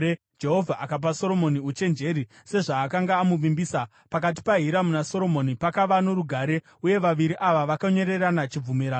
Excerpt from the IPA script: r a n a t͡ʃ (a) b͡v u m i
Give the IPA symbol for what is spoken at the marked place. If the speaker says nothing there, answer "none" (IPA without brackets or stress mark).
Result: i